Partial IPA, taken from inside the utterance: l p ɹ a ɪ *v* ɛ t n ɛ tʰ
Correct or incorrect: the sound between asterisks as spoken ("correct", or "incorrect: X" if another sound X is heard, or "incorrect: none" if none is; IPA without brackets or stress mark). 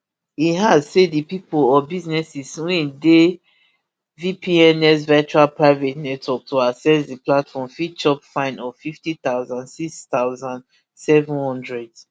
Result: correct